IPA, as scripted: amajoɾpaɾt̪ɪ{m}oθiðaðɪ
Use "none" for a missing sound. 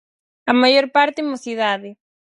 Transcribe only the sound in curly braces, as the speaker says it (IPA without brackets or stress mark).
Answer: m